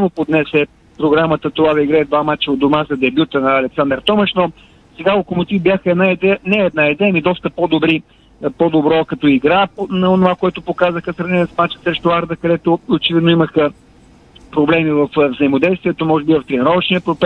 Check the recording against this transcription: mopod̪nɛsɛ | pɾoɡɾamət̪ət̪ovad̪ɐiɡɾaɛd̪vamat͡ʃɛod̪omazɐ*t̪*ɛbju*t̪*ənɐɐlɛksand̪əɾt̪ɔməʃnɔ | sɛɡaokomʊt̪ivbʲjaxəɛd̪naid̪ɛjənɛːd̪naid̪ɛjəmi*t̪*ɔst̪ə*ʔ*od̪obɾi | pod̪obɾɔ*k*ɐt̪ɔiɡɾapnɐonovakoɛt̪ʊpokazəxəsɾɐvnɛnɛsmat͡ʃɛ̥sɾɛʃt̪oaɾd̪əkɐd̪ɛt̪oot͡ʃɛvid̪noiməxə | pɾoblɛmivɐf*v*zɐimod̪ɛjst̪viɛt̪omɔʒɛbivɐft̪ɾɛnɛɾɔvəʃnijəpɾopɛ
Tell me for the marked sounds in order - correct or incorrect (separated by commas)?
incorrect, correct, incorrect, incorrect, correct, correct